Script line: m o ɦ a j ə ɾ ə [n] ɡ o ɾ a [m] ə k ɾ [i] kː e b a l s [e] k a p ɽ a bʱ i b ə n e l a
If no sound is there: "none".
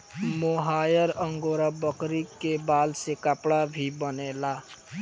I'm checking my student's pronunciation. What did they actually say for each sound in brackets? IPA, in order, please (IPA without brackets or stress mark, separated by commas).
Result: ŋ, b, i, e